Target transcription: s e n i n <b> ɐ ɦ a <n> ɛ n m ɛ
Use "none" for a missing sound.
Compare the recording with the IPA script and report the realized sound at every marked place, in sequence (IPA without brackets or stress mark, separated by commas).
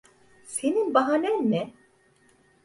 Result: b, n